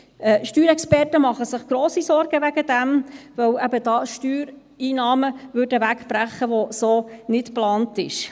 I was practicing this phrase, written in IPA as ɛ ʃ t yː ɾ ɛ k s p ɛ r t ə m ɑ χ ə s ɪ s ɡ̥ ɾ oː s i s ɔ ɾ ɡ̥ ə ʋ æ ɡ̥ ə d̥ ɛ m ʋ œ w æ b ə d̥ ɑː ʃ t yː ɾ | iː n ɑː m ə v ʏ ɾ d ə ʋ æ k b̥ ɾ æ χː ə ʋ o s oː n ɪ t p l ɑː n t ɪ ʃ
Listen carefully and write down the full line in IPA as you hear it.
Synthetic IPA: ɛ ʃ t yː ɾ ɛ k s p ɛ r t ə m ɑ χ ə s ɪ χ ɡ̥ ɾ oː s i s ɔ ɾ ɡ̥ ə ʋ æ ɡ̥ ə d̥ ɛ m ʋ œ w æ b ə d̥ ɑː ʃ t yː ɾ | iː n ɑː m ə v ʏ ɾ d ə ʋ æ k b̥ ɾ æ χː ə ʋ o s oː n ɪ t p l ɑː n t ɪ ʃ